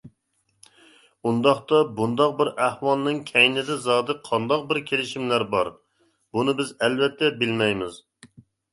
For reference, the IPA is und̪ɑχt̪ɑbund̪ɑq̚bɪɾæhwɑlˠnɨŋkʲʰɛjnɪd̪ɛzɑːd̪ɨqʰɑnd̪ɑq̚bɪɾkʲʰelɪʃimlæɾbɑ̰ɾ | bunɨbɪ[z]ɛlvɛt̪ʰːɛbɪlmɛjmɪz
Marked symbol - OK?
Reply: yes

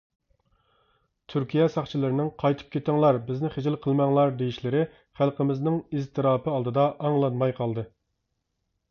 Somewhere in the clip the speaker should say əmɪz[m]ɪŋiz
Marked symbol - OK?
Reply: no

